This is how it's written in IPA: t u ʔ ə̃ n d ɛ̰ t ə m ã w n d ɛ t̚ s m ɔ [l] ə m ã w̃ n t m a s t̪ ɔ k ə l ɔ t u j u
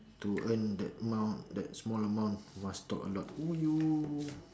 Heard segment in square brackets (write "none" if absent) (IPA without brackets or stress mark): l